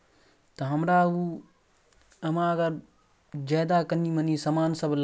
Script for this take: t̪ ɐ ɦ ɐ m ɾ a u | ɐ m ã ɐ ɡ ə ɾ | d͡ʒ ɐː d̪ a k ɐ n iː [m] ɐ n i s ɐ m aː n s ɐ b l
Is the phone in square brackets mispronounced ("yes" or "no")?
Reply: no